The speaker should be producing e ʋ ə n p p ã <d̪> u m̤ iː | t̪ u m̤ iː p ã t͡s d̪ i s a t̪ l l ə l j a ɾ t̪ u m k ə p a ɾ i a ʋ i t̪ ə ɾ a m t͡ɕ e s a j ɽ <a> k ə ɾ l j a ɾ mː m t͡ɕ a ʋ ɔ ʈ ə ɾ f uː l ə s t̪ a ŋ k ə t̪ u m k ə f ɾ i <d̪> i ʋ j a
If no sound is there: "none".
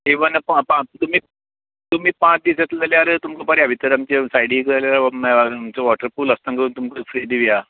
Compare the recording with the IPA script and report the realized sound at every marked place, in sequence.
t̪, i, d̪

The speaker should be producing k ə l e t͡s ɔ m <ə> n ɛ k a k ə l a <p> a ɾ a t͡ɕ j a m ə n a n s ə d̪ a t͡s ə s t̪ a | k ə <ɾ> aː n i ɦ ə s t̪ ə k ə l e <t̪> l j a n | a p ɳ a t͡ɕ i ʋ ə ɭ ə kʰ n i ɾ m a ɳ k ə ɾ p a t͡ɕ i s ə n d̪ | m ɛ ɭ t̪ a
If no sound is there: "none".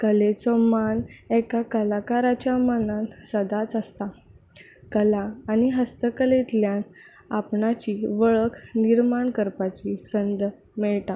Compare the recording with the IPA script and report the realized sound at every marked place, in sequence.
a, k, l, t̪

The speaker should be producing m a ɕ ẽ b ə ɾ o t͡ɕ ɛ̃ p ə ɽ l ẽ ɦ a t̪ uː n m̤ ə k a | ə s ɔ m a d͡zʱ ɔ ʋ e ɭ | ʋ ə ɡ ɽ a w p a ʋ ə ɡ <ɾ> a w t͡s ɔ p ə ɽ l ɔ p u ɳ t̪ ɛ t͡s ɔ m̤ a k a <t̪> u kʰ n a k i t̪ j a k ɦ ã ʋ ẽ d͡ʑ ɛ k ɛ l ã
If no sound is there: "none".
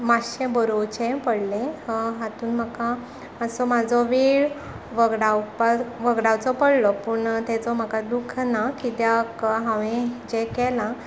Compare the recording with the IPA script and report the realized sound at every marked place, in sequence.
ɽ, d̪

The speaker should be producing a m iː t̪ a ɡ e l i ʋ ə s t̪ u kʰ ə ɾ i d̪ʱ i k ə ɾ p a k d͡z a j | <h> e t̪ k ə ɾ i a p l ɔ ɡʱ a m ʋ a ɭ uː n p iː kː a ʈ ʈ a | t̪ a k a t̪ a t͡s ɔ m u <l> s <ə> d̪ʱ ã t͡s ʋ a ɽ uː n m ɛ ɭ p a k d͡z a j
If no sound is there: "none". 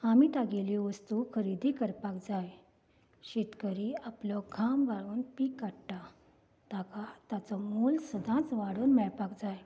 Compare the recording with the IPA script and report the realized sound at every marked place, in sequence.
ɕ, l, ə

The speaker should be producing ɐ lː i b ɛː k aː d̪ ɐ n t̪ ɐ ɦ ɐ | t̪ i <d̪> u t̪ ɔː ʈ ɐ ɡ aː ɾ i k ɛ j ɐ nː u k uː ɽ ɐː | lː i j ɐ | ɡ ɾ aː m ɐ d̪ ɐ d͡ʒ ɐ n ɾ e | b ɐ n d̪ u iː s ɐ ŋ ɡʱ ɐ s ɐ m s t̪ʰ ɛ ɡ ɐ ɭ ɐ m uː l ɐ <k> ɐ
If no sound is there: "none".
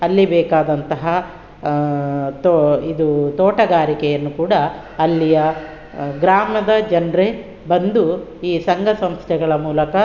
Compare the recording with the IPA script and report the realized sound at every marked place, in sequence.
d̪, k

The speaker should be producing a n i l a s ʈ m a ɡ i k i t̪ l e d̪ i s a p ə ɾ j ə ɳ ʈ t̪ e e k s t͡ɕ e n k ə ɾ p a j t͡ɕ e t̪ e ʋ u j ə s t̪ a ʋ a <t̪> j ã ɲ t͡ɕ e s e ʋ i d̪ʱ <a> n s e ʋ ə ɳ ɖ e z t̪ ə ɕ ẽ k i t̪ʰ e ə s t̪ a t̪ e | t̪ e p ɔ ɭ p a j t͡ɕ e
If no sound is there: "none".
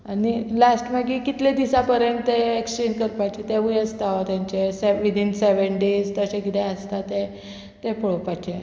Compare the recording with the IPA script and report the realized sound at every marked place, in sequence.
t̪, i

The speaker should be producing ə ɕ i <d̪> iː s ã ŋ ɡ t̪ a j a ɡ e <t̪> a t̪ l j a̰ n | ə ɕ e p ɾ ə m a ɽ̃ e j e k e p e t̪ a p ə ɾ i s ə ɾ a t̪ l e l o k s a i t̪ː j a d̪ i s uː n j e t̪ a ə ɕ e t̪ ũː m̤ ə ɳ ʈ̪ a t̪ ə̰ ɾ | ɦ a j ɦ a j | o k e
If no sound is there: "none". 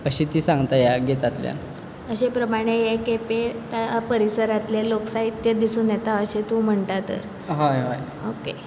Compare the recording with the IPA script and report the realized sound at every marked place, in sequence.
t̪, t̪

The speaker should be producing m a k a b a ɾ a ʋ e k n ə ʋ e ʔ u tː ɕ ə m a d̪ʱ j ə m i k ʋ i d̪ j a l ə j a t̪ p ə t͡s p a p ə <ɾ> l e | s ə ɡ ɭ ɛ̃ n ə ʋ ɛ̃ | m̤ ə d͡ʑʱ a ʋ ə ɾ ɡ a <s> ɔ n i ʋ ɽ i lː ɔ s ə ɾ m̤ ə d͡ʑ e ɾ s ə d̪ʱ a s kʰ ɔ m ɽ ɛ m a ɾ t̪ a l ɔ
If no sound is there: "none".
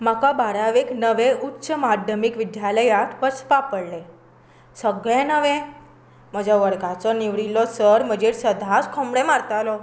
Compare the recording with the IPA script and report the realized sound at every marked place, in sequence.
ɽ, t͡s

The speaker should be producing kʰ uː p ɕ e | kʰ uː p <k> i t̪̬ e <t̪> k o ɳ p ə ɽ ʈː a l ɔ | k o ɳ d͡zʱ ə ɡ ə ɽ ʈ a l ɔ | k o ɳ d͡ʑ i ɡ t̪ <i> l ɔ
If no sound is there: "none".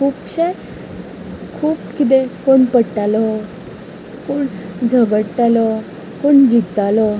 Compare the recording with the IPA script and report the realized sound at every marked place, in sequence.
k, none, a

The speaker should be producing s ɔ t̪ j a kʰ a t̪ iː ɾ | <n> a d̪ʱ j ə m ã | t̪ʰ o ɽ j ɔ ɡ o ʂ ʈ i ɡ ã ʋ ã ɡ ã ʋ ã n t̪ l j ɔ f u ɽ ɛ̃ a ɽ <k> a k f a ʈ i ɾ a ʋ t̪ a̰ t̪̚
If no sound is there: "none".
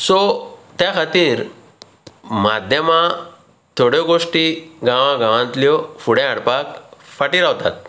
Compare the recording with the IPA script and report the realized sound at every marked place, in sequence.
m, p

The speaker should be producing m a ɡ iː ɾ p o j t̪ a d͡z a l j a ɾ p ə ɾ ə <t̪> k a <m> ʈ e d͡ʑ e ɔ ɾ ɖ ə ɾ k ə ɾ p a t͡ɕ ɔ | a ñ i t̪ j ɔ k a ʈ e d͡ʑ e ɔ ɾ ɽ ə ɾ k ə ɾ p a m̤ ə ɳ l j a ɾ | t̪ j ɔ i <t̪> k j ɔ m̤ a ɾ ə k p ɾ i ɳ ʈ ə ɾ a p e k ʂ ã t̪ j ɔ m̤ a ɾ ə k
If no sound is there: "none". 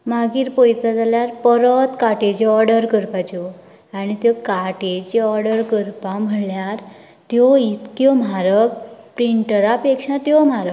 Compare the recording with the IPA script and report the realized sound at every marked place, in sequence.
t̪, none, t̪

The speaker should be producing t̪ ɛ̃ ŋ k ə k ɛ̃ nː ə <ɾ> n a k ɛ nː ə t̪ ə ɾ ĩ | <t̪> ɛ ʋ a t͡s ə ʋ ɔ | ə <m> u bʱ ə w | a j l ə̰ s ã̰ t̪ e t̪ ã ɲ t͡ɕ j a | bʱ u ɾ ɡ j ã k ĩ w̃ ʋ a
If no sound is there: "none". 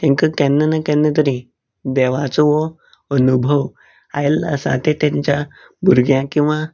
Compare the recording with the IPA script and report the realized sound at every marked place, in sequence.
none, d̪, n

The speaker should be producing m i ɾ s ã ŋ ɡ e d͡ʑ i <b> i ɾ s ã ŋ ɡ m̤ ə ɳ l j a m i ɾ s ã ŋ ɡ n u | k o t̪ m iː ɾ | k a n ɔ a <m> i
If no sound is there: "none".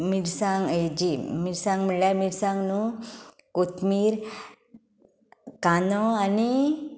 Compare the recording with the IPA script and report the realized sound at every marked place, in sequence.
m, n

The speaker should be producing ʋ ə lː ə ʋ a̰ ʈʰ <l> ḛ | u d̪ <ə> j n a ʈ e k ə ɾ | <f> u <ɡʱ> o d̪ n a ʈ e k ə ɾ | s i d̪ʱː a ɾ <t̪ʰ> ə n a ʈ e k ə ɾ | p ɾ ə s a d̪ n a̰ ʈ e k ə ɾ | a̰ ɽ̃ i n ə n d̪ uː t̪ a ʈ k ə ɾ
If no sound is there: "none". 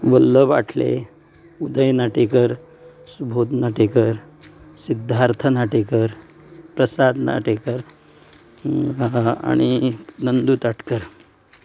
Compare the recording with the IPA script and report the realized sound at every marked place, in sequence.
l, ə, s, bʱ, t̪ʰ

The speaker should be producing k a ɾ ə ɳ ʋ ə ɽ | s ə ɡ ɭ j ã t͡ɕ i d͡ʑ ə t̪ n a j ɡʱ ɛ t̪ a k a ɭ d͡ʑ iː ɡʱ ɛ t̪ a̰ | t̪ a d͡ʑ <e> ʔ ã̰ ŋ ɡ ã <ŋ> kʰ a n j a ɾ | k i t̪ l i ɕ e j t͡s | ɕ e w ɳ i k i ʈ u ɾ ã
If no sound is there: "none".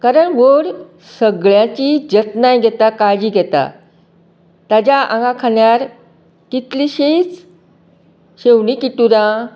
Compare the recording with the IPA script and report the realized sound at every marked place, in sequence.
a, none

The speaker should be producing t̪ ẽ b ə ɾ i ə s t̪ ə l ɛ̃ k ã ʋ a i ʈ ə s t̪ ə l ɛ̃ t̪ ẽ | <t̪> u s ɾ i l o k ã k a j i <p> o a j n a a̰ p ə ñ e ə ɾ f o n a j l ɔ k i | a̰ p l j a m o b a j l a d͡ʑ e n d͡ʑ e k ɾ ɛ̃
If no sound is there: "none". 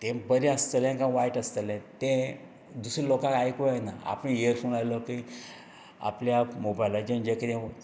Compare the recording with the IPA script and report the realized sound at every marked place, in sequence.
d̪, k

